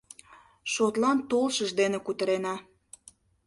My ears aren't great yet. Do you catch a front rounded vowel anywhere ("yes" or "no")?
no